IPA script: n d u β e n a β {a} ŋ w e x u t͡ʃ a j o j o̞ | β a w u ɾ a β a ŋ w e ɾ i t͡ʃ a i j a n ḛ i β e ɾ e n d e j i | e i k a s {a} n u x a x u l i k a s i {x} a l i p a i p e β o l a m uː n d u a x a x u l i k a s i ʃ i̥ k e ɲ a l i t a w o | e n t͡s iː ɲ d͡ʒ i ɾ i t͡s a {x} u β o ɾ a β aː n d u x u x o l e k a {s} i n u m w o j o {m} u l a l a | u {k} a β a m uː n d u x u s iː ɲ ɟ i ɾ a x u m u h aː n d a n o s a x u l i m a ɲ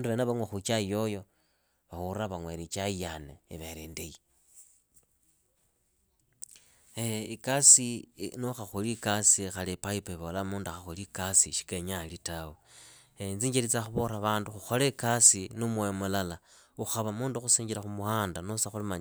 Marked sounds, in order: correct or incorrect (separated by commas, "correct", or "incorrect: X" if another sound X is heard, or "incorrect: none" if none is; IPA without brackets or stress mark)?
correct, incorrect: i, correct, correct, correct, correct, incorrect: x